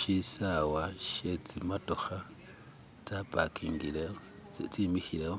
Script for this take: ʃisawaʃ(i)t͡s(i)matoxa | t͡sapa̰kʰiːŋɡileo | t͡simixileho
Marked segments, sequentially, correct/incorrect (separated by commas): incorrect, correct